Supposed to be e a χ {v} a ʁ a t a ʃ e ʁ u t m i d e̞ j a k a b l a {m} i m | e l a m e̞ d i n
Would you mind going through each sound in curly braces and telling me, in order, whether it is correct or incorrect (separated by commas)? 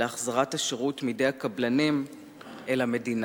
incorrect, incorrect